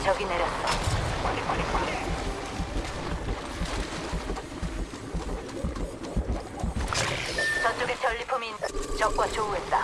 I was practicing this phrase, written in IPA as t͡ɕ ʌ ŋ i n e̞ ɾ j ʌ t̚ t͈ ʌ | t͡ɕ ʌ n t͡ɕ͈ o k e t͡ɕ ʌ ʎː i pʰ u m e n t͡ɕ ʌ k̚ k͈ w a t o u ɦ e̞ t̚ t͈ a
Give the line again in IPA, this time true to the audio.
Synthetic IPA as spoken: t͡ɕ ʌ ɡ i n e̞ ɾ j ʌ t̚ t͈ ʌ | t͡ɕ ʌ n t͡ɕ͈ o ɡ e t͡ɕ ʌ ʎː i pʰ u m i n t͡ɕ ʌ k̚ k͈ w a t͡ɕ o u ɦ e̞ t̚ t͈ a